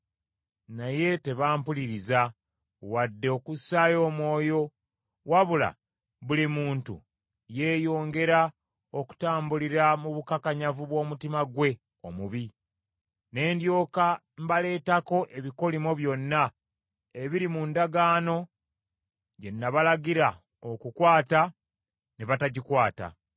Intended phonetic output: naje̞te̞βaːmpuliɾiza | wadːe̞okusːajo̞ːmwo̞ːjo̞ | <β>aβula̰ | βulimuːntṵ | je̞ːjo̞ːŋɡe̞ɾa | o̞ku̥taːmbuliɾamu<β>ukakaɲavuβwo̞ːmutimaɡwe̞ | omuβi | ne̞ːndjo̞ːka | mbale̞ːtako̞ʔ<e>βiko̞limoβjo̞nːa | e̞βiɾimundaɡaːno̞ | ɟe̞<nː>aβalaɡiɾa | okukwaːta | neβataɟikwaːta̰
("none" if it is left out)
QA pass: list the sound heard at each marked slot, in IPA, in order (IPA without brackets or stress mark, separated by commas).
w, β, e, nː